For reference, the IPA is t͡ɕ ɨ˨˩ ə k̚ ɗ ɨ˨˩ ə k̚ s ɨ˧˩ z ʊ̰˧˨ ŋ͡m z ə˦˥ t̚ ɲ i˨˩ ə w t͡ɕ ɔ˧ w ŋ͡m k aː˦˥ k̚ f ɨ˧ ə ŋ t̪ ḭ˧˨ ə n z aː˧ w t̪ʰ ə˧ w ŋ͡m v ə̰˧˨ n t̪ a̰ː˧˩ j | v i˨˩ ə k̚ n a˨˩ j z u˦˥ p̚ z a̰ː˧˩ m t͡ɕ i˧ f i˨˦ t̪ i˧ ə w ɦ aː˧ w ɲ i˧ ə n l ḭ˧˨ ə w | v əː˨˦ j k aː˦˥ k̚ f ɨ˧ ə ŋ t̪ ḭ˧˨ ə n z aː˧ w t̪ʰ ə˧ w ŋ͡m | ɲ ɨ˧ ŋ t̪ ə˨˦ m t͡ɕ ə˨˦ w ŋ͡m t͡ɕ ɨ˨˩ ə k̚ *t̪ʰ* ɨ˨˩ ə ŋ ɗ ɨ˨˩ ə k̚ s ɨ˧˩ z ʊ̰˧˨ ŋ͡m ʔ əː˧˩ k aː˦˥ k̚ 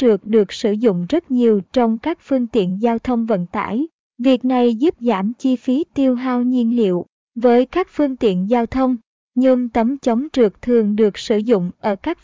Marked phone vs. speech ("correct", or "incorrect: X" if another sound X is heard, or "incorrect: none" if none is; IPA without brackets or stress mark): correct